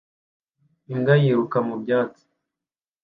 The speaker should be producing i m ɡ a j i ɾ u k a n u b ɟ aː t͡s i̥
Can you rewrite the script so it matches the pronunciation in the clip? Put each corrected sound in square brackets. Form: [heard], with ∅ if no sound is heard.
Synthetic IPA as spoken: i [ŋ] ɡ a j i ɾ u k a [m] u b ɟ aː t͡s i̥